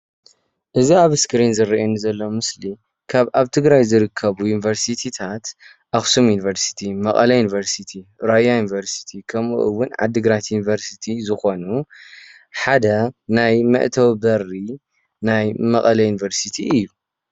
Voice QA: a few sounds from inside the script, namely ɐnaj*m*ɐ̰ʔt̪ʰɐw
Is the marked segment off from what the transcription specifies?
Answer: no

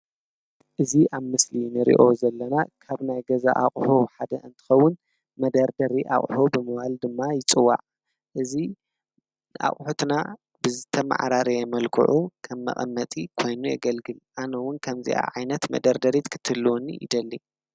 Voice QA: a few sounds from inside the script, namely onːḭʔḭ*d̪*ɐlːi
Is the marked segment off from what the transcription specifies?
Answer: no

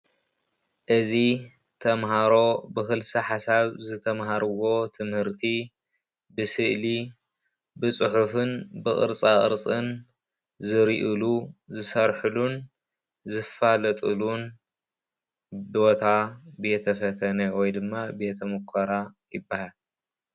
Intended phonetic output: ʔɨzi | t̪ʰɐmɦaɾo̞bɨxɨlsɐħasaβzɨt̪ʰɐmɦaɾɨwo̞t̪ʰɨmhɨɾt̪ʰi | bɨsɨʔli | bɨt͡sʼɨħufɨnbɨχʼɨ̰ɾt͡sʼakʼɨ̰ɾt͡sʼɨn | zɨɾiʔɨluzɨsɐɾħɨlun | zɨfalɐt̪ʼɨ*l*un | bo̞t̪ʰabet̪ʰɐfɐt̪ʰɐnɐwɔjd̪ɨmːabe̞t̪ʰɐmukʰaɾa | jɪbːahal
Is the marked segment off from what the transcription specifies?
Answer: no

